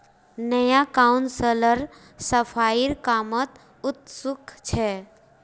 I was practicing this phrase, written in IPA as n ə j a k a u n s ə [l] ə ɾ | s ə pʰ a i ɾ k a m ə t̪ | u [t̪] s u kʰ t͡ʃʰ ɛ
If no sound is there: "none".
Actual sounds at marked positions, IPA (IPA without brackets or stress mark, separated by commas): l, t̪